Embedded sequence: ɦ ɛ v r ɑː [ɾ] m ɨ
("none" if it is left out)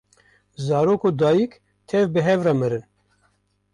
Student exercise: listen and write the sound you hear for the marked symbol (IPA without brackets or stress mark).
none